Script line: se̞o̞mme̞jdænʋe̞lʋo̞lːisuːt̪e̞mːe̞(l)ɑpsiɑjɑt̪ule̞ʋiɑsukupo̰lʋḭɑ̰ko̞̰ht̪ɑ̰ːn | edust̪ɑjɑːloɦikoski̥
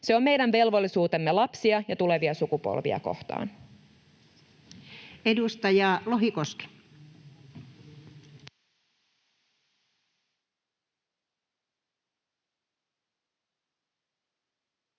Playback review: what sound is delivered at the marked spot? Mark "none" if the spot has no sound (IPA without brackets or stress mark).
l